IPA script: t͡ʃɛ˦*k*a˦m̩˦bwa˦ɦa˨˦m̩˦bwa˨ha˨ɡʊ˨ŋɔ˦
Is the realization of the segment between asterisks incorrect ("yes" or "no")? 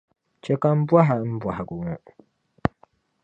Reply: no